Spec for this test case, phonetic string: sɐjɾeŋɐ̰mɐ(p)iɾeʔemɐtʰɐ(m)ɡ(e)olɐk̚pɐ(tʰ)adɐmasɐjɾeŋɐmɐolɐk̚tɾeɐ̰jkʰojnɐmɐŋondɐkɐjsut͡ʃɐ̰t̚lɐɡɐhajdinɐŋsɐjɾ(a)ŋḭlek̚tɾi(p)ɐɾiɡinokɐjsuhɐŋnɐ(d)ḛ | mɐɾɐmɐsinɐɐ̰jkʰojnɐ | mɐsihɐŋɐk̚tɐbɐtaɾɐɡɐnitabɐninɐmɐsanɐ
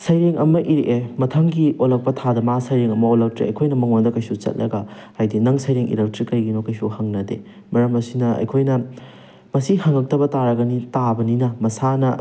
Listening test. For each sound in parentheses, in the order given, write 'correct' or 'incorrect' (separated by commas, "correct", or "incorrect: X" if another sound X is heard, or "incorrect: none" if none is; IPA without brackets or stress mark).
incorrect: ʔ, incorrect: ŋ, incorrect: i, correct, incorrect: e, incorrect: k, correct